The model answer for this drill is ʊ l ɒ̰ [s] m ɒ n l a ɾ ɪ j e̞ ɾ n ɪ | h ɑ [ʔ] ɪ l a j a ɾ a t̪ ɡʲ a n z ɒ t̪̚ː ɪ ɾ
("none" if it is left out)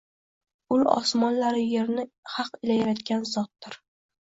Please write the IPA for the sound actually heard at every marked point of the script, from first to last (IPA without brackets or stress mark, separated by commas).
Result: s, q